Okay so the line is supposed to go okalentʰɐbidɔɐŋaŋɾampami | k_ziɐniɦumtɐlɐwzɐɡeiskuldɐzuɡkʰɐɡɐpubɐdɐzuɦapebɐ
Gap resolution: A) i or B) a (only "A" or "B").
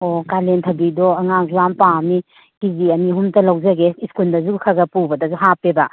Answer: A